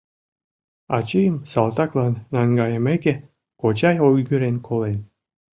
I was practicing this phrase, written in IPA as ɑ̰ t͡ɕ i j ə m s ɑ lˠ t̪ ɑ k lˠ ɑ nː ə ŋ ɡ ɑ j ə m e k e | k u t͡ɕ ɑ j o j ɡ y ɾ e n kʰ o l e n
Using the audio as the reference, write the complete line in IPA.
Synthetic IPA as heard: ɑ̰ t͡ɕ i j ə m s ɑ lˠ t̪ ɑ k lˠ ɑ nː ɑ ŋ ɡ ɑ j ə m e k e | k o t͡ɕ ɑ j o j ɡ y ɾ e n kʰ o l e n